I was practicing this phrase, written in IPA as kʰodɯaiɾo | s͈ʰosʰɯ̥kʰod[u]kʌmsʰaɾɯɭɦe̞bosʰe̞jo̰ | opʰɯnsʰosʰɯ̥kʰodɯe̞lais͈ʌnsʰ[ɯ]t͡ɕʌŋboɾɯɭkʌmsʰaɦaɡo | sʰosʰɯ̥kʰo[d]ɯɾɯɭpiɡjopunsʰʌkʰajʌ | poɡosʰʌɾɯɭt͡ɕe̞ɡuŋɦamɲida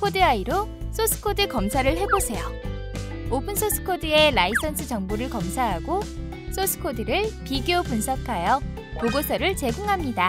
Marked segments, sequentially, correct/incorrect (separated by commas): incorrect, correct, correct